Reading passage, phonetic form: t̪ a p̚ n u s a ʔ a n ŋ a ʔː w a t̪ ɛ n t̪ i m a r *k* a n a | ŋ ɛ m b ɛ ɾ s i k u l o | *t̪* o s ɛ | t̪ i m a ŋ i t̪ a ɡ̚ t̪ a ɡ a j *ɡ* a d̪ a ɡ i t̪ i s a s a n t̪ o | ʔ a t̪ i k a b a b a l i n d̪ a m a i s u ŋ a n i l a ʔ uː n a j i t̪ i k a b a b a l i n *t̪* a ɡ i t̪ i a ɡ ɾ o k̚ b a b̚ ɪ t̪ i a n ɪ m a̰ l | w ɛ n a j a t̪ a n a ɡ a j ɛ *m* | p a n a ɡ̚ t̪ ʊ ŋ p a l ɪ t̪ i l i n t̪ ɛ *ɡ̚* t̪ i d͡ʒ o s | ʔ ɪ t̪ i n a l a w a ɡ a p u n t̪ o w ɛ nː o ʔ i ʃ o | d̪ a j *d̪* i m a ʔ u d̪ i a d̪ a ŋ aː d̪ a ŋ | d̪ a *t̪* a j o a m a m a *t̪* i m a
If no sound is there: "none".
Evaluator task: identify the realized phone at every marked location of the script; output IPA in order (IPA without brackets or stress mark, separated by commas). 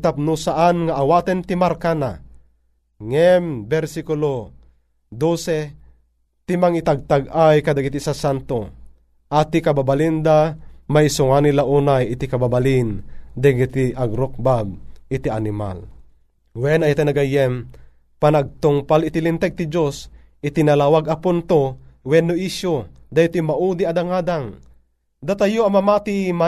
k, d̪, k, d̪, m, ɡ̚, t̪, t̪, t̪